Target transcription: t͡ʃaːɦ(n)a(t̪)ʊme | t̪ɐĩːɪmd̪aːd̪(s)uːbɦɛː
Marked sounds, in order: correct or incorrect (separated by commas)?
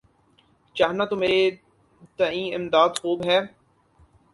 correct, correct, incorrect